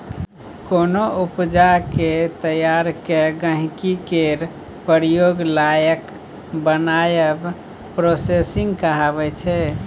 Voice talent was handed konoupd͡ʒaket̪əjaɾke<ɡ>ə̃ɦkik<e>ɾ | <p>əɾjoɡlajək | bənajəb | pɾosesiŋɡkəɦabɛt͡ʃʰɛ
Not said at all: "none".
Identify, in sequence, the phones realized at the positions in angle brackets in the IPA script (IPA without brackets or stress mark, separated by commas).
ɡ, e, p